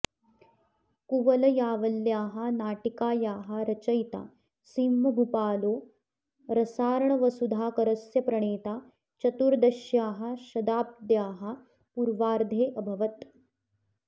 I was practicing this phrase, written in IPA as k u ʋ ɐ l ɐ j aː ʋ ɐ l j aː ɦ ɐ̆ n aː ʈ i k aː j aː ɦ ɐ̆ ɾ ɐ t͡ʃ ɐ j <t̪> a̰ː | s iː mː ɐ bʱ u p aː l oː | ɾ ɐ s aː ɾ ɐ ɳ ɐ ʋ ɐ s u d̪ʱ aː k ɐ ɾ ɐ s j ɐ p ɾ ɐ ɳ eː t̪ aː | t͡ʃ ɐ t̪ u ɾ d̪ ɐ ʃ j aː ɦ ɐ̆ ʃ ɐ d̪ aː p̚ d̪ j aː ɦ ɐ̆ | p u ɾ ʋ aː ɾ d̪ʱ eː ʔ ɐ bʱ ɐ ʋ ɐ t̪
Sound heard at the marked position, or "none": t̪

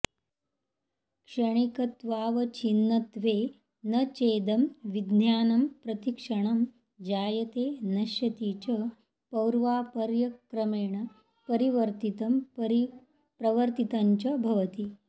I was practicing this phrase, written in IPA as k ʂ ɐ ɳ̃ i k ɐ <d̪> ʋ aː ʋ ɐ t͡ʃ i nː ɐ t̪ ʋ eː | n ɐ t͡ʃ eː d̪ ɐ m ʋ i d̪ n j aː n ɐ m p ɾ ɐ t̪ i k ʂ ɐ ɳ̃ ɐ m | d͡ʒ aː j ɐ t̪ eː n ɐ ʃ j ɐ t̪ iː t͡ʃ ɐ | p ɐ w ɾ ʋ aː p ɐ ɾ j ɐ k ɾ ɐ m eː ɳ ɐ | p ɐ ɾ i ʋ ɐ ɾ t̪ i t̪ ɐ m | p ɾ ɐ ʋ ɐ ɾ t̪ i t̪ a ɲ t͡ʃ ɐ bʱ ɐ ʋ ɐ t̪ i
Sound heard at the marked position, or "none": t̪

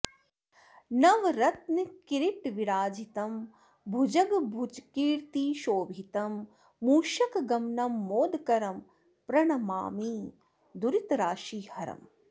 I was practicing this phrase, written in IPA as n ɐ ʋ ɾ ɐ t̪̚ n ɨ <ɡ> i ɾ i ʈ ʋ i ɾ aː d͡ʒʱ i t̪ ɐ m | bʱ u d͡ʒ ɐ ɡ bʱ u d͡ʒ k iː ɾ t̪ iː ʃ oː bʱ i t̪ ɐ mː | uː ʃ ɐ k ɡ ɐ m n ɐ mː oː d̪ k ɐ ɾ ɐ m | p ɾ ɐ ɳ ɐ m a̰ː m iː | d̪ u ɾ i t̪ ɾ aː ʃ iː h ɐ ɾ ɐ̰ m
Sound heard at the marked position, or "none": k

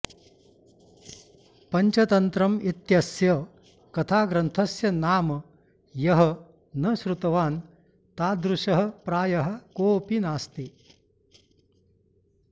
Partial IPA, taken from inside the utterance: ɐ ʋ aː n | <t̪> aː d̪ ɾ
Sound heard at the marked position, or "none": t̪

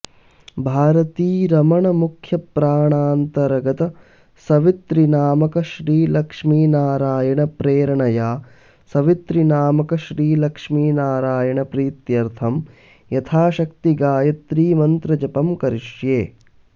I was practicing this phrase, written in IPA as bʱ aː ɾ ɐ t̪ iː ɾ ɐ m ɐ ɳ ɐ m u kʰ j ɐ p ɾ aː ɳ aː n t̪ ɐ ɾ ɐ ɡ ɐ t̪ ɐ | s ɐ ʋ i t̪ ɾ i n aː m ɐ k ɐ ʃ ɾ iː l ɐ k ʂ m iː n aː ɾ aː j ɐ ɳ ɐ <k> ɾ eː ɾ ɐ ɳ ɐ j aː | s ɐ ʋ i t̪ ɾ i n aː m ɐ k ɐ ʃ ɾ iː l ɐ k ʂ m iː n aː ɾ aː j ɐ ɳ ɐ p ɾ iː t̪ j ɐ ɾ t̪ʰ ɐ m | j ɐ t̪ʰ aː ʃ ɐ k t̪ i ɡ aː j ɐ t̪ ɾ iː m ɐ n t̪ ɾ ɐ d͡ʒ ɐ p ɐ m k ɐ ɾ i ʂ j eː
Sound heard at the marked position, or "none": p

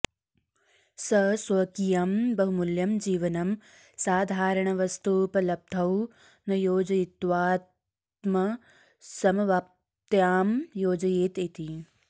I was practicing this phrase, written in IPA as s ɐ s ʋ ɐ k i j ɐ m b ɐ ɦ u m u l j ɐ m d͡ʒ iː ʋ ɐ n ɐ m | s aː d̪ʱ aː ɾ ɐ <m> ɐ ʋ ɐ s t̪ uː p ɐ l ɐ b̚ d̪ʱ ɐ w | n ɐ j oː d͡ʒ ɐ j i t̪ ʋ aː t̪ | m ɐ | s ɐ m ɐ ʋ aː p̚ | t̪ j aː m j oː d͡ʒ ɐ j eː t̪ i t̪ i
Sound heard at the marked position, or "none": ɳ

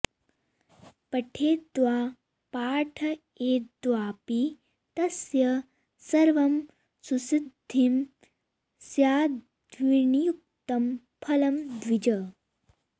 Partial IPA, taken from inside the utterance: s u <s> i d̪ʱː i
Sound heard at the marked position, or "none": s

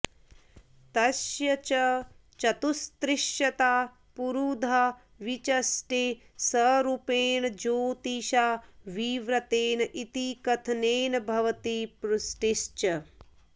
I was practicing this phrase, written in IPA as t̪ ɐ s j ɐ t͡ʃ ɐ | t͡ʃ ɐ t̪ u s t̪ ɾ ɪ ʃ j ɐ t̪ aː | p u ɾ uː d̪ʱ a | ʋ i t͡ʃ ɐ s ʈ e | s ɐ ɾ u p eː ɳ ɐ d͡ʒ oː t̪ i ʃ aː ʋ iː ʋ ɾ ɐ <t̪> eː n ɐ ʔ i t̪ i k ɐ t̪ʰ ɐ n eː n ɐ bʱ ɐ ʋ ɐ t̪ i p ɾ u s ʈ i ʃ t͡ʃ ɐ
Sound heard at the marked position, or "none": t̪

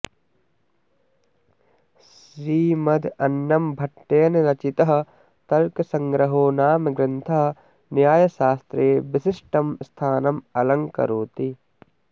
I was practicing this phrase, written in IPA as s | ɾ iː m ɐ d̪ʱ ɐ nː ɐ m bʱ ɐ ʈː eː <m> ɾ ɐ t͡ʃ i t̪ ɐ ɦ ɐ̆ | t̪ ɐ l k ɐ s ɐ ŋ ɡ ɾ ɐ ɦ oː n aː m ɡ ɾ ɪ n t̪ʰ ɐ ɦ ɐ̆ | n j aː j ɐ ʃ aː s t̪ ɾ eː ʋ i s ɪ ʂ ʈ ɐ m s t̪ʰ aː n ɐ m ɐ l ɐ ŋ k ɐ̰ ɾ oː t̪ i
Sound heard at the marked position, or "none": n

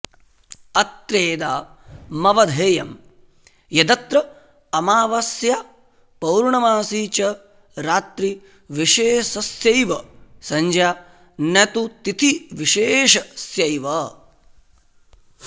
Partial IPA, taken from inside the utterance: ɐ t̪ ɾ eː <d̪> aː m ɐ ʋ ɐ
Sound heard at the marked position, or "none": d̪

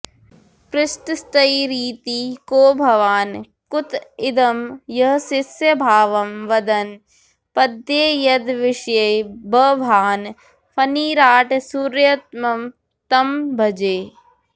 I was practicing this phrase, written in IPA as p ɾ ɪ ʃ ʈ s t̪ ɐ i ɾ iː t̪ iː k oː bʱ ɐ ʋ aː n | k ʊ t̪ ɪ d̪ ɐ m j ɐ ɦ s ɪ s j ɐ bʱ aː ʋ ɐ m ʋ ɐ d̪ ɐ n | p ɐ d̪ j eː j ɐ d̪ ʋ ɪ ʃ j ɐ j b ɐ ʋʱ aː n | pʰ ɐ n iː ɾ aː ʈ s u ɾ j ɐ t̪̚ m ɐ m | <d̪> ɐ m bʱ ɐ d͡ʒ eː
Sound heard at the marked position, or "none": t̪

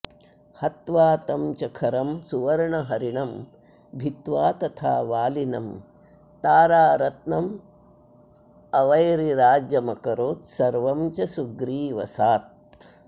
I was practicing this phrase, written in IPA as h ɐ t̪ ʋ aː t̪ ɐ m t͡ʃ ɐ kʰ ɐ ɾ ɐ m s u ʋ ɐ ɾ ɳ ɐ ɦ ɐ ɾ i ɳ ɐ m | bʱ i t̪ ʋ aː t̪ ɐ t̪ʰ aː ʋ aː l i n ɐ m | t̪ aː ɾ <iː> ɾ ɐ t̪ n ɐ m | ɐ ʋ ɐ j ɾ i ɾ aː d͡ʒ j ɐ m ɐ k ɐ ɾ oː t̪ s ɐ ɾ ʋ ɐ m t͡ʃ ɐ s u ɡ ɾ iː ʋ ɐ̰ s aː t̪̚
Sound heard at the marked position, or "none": aː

